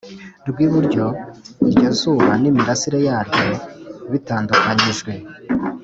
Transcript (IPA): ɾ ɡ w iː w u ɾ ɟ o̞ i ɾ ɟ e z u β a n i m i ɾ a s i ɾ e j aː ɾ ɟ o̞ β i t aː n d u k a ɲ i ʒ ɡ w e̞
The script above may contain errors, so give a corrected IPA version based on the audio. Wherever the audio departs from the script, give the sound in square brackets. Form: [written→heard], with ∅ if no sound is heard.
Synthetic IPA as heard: ɾ ɡ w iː [w→β] u ɾ ɟ o̞ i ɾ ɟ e z u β a n i m i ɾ a s i ɾ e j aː ɾ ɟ o̞ β i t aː n d u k a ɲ i ʒ ɡ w e̞